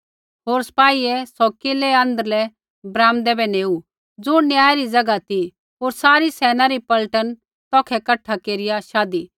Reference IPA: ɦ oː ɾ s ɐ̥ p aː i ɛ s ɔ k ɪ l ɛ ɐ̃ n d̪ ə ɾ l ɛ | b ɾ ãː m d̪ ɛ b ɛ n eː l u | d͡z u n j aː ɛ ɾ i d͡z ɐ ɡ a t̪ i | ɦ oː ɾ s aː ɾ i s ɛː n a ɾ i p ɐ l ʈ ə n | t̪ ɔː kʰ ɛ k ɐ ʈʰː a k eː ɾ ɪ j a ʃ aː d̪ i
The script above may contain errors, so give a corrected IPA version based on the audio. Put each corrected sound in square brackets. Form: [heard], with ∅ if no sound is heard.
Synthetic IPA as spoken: ɦ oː ɾ s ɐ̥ p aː i ɛ s ɔ k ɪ l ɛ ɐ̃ n d̪ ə ɾ l ɛ | b ɾ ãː m d̪ ɛ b ɛ n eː [∅] u | d͡z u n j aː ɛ ɾ i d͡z ɐ ɡ a t̪ i | ɦ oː ɾ s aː ɾ i s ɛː n a ɾ i p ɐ l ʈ ə n | t̪ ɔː kʰ ɛ k ɐ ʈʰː a k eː ɾ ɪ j a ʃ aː d̪ i